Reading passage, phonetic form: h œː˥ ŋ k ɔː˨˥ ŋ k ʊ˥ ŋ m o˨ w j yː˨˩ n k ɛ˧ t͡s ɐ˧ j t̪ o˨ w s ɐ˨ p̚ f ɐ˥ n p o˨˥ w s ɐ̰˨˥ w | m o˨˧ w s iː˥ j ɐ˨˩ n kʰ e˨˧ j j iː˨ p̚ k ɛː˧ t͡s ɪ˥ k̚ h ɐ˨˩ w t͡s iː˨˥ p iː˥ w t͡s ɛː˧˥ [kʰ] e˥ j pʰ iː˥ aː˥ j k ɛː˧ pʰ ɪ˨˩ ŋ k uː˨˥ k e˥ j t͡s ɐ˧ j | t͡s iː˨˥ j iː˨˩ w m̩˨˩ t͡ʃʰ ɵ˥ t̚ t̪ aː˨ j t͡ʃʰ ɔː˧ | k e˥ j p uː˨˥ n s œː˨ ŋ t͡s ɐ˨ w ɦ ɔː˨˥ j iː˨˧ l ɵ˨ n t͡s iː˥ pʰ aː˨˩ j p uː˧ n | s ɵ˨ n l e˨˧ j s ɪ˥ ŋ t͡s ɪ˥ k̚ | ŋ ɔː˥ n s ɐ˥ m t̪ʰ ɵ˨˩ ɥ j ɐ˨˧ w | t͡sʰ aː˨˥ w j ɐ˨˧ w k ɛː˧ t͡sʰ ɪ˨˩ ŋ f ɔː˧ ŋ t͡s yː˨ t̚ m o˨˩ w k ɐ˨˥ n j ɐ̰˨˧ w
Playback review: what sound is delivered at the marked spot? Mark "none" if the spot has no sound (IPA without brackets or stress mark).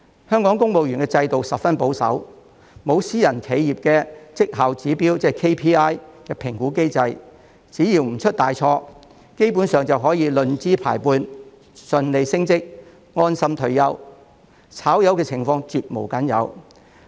kʰ